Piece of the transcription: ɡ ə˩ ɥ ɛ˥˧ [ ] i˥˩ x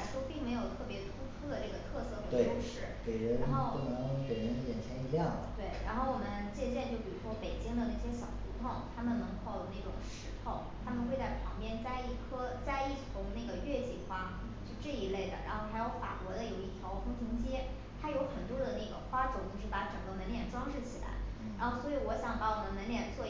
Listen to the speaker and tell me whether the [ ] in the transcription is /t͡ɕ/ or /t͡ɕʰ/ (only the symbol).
t͡ɕ